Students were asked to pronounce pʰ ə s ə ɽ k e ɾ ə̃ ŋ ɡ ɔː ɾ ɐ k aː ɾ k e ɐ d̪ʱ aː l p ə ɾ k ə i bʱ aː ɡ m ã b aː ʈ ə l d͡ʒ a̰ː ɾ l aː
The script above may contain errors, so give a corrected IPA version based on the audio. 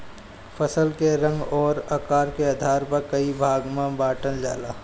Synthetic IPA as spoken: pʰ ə s ə l k e ɾ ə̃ ŋ ɡ ɔː ɾ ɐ k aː ɾ k e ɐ d̪ʱ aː ɾ p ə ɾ k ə i bʱ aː ɡ m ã b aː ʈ ə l d͡ʒ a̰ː l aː